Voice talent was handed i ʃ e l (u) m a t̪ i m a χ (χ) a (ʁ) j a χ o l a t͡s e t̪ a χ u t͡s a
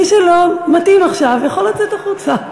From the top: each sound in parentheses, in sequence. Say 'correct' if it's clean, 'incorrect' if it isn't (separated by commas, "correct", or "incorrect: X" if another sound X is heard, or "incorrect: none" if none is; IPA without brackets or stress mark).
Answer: incorrect: o, incorrect: ʃ, incorrect: v